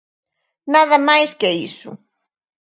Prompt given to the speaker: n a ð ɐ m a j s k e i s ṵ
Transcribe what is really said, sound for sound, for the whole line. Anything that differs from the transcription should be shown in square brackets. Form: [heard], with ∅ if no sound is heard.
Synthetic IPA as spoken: n a ð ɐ m a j s k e i s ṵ